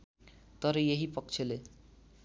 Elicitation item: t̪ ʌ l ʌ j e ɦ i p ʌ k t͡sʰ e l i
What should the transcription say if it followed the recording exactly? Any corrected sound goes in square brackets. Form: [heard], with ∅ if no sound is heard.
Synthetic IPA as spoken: t̪ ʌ [ɾ] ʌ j e ɦ i p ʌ k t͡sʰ e l [e]